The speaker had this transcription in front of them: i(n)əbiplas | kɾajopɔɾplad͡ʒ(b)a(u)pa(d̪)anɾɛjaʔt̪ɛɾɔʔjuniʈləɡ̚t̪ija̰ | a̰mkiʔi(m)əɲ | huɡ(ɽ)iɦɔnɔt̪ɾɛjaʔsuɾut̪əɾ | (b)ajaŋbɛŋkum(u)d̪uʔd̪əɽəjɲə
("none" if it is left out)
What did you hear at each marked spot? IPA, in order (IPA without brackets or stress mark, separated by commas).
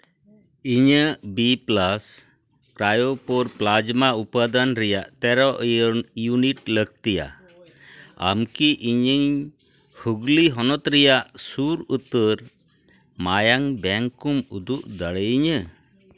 ɲ, m, u, d̪, ɲ, l, m, u